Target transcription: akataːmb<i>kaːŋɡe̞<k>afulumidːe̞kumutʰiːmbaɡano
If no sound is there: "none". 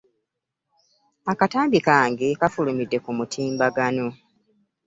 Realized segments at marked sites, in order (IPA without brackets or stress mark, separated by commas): i, k